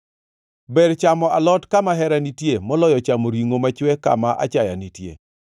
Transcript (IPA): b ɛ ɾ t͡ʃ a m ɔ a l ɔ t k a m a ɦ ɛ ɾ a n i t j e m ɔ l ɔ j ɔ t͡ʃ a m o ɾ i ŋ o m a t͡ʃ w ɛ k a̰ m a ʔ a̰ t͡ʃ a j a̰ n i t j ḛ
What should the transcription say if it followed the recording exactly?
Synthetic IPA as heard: b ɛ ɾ t͡ʃ a m ɔ a l ɔ t k a m a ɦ ɛ ɾ a n i t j e m ɔ l ɔ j ɔ t͡ʃ a m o ɾ i ŋ o m a t͡ʃ w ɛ k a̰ m a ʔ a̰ t͡ʃ a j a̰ n i t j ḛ